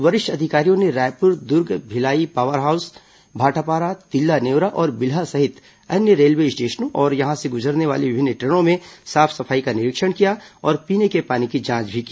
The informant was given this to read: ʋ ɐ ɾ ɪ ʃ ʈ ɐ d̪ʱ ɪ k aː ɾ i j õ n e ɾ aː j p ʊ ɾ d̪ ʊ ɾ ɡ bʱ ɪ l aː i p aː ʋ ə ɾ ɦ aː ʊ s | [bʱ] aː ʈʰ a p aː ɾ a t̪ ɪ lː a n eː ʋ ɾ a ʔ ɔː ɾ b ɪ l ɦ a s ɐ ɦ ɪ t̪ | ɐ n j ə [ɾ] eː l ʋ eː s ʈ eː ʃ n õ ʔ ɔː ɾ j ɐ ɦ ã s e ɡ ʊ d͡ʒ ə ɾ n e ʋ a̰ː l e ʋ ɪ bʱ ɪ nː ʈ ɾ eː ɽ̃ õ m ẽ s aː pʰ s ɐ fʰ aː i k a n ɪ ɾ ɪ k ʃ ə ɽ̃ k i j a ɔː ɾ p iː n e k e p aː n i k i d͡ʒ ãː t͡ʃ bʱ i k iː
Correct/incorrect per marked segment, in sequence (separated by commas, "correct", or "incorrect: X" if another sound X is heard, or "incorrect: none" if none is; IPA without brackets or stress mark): correct, correct